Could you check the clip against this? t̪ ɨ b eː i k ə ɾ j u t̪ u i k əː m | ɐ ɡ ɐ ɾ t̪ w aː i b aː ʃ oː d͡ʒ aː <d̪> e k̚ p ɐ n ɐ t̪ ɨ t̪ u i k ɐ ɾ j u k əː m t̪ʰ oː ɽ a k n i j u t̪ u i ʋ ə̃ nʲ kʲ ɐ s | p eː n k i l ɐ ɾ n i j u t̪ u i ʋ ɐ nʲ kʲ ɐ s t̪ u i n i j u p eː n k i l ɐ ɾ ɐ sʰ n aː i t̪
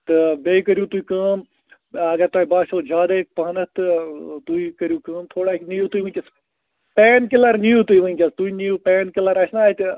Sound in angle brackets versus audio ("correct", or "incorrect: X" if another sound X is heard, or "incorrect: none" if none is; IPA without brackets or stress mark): correct